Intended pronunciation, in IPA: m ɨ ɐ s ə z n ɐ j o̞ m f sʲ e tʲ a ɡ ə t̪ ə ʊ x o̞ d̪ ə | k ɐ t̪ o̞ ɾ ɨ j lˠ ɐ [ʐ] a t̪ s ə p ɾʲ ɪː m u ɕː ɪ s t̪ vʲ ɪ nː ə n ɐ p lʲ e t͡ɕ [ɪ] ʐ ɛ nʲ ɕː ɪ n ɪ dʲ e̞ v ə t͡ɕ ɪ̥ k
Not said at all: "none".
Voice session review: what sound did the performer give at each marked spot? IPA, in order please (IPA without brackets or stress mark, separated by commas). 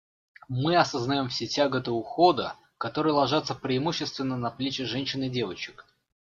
ʐ, ɪ